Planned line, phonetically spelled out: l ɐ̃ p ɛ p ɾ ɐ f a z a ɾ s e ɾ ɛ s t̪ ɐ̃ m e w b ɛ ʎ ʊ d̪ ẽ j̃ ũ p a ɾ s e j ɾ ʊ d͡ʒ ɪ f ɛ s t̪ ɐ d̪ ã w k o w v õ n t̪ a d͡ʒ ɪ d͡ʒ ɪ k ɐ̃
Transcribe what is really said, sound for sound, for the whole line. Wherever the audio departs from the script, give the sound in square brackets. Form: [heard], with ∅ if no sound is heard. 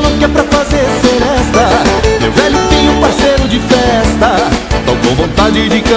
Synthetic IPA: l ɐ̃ [k] ɛ p ɾ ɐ f a z [e] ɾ s e ɾ ɛ s t̪ [ɐ] m e w [v] ɛ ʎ ʊ [t̪] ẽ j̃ ũ p a ɾ s e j ɾ ʊ d͡ʒ ɪ f ɛ s t̪ ɐ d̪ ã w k o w v õ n t̪ a d͡ʒ ɪ d͡ʒ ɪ k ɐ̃